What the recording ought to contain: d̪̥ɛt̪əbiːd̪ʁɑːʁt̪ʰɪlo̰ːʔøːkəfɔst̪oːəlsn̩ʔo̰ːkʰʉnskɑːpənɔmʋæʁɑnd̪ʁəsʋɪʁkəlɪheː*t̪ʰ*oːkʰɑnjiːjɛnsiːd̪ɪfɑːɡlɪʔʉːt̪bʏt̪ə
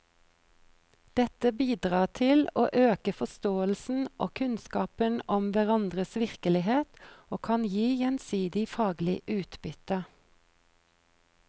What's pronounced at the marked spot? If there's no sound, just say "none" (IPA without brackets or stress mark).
t̪